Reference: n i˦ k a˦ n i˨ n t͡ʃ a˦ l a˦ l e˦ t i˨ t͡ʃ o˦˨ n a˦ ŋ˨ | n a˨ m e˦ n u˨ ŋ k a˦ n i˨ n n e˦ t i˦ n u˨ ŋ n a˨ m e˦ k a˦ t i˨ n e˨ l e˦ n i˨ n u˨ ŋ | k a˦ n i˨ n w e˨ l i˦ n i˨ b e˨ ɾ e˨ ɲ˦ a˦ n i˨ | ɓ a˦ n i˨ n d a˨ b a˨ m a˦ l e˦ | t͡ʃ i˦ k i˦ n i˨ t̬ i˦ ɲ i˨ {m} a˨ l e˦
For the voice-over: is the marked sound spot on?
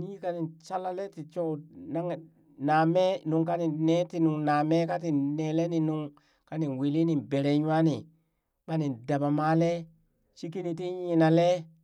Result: no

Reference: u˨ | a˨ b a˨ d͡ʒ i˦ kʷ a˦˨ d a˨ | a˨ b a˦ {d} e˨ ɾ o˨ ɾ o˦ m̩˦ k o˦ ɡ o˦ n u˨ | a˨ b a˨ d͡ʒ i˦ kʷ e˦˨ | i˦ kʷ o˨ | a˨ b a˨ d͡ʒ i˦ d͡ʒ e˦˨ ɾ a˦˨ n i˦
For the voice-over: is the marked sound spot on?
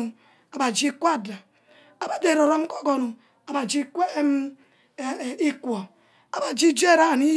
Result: yes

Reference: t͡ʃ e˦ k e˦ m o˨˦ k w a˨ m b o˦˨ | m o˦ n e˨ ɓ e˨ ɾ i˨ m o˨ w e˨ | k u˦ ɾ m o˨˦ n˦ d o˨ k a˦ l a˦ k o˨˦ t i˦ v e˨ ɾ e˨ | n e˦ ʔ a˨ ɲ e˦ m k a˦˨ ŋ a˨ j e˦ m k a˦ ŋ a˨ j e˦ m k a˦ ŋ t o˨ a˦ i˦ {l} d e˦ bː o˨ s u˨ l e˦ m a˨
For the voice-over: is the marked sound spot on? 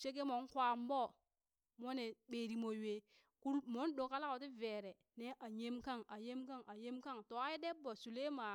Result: no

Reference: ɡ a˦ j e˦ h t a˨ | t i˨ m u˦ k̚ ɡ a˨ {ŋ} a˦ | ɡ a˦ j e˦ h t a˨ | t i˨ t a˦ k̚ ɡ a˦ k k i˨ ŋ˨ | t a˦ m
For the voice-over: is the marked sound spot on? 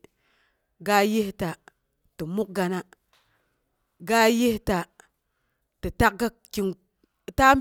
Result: no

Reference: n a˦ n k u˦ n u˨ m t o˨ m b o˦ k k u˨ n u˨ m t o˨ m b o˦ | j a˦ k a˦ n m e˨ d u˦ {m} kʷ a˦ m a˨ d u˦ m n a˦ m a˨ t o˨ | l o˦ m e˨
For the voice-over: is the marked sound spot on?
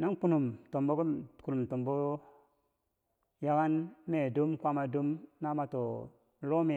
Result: yes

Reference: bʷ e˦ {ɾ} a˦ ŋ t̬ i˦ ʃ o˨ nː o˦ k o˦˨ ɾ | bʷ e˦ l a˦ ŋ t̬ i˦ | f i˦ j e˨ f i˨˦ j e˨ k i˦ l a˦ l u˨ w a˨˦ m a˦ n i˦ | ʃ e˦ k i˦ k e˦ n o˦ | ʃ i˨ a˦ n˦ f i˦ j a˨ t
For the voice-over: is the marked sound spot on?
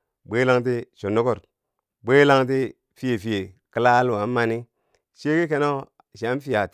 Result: no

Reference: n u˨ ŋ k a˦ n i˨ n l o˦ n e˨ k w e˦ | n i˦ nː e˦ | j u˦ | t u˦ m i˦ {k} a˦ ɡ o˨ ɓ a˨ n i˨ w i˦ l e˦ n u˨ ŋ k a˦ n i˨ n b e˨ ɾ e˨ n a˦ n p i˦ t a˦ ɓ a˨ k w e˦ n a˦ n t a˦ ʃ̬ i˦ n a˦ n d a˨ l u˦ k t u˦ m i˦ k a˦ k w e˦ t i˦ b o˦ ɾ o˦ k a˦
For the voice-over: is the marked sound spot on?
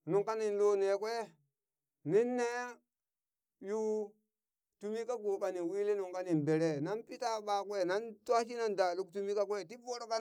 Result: yes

